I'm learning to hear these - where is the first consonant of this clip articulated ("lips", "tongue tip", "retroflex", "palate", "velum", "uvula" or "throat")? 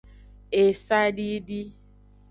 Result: tongue tip